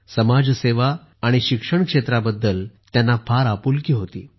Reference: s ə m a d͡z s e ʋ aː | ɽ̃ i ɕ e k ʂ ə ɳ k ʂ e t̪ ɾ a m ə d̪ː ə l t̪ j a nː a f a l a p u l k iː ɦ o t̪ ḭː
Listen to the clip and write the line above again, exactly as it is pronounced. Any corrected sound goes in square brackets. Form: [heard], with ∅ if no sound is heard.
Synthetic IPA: s ə m a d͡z s e ʋ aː | ɽ̃ i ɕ [i] k ʂ ə ɳ k ʂ e t̪ ɾ a [b] ə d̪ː ə l t̪ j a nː a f a [ɾ] a p u l k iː ɦ o t̪ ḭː

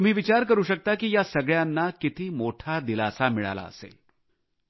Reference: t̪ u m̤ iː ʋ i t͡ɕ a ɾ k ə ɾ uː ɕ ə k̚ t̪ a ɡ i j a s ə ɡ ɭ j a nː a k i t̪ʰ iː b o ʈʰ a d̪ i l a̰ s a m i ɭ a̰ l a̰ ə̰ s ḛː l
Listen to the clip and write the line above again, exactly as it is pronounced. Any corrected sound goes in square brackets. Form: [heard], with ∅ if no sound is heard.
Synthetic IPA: t̪ u m̤ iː ʋ i t͡ɕ a ɾ k ə ɾ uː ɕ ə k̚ t̪ a [k] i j a s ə ɡ ɭ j a nː a k i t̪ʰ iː [m] o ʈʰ a d̪ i l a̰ s a m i ɭ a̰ l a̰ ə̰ s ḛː l

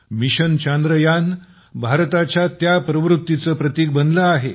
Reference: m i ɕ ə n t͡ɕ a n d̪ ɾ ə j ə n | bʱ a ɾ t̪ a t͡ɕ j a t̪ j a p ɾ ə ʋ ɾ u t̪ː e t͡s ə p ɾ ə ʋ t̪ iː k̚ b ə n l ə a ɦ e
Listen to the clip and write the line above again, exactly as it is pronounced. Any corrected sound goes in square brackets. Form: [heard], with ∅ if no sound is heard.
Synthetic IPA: m i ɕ ə n t͡ɕ a n d̪ ɾ ə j [a] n | bʱ a ɾ t̪ a t͡ɕ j a t̪ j a p ɾ ə ʋ ɾ u t̪ː [i] t͡s ə p ɾ ə [∅] t̪ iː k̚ b ə n l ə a ɦ e

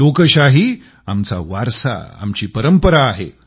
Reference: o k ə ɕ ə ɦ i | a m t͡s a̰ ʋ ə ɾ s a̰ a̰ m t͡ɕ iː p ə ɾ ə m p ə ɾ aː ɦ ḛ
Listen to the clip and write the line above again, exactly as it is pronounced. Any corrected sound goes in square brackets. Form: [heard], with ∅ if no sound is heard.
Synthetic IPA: o k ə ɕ [a] ɦ i | a m t͡s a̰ ʋ [a] ɾ s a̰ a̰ m t͡ɕ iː p ə ɾ ə m p ə ɾ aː ɦ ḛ

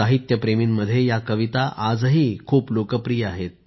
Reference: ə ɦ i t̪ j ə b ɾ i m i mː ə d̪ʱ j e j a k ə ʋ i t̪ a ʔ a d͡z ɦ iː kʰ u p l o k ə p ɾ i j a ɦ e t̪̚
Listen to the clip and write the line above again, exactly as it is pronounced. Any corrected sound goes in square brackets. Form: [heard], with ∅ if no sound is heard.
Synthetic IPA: [a] ɦ i t̪ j ə [p] ɾ [e] m i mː ə d̪ʱ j e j a k ə ʋ i t̪ a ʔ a d͡z ɦ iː kʰ [uː] p l o k ə p ɾ i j a ɦ e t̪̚

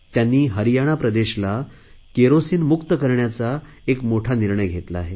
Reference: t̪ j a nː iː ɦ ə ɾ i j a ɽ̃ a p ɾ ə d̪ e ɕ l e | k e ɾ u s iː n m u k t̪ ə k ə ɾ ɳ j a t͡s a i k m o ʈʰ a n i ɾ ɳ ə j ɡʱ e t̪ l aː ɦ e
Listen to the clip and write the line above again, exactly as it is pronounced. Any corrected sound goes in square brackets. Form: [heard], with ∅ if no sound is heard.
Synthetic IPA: t̪ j a nː iː ɦ ə ɾ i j a ɽ̃ a p ɾ ə d̪ e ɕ l [a] | k e ɾ [o] s iː n m u k t̪ ə k ə ɾ ɳ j a t͡s a [e] k m o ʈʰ a n i ɾ ɳ ə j ɡʱ e t̪ l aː ɦ e

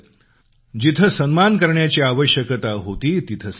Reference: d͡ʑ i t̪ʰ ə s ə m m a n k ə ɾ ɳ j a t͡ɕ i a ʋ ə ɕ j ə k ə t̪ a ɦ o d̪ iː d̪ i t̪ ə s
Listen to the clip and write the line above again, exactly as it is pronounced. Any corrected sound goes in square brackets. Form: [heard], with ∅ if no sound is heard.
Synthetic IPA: d͡ʑ i t̪ʰ ə s ə [n] m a n k ə ɾ ɳ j a t͡ɕ i a ʋ ə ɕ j ə k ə t̪ a ɦ o [t̪] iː [t̪] i [t̪ʰ] ə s

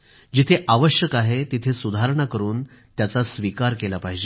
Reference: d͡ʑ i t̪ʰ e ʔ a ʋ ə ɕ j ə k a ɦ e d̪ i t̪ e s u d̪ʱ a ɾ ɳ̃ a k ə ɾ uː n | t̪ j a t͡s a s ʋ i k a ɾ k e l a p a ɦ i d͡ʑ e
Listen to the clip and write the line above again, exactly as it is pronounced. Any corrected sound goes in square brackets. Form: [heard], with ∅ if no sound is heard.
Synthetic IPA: d͡ʑ i t̪ʰ e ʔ a ʋ ə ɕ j ə k a ɦ e [t̪] i [t̪ʰ] e s u d̪ʱ a ɾ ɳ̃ a k ə ɾ uː n | t̪ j a t͡s a s ʋ i k a ɾ k e l a p a ɦ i d͡ʑ e

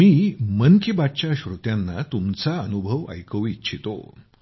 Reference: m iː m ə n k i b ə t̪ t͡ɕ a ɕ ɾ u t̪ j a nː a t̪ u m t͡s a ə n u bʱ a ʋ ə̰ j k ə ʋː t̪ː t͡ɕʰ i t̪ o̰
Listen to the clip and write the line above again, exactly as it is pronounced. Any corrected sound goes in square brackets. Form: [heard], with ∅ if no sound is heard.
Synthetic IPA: m iː m ə n k i b [a] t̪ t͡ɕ a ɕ ɾ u t̪ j a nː a t̪ u m t͡s a ə n u bʱ [ə] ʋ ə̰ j k ə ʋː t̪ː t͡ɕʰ i t̪ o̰

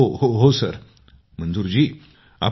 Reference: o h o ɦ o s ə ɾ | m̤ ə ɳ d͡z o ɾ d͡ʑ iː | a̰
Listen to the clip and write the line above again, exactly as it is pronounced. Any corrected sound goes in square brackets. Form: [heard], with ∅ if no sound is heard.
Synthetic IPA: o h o ɦ o s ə ɾ | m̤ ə [n] d͡z [u] ɾ d͡ʑ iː | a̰

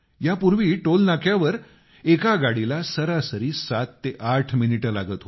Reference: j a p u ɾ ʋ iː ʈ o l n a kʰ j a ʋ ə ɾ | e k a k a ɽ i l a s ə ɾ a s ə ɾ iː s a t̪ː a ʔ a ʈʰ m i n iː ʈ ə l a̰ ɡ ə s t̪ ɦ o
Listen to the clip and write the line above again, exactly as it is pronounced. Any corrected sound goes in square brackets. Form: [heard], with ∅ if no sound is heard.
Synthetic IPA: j a p u ɾ ʋ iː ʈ o l n a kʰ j a ʋ ə ɾ | e k a [ɡ] a ɽ i l a s ə ɾ a s ə ɾ iː s a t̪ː [e] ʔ a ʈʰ m i n [i] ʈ ə l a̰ ɡ ə [∅] t̪ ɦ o

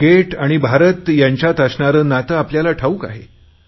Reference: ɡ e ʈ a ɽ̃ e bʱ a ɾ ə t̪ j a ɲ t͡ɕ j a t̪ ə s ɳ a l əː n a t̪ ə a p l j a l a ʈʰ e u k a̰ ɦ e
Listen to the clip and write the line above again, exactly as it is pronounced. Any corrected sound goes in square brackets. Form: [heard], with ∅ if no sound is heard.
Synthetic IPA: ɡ e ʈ a ɽ̃ [i] bʱ a ɾ ə t̪ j a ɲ t͡ɕ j a t̪ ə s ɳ a [ɾ] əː n a t̪ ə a p l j a l a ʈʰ [a] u k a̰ ɦ e

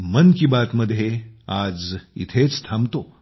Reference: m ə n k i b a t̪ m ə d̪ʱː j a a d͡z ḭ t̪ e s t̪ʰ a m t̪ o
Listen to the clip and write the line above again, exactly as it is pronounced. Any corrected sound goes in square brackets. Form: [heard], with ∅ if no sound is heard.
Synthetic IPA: m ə n k i b a t̪ m ə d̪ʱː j [e] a d͡z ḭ [t̪ʰ] e [t͡s] t̪ʰ a m t̪ o

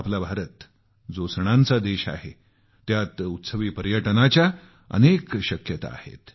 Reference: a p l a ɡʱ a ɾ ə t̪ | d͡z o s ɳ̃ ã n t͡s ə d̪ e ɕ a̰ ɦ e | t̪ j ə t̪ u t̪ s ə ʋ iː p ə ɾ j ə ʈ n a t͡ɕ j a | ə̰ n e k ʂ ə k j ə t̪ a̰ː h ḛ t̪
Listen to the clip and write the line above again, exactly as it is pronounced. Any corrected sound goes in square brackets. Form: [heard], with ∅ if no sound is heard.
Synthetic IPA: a p l a [bʱ] a ɾ ə t̪ | d͡z o s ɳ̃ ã n t͡s [a] d̪ e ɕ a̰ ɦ e | t̪ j [a] t̪ u t̪ s ə ʋ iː p ə ɾ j ə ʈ n a t͡ɕ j a | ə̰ n e k [ɕ] ə k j ə t̪ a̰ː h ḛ t̪

